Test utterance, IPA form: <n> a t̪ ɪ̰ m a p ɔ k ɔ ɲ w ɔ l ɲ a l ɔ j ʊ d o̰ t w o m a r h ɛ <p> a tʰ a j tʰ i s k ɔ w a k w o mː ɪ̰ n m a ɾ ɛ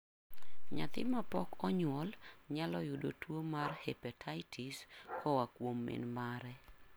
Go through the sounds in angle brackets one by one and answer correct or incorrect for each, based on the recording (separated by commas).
incorrect, correct